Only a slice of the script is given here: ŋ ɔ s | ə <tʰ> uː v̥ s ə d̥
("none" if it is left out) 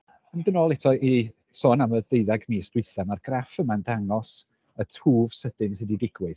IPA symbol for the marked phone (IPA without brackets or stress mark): tʰ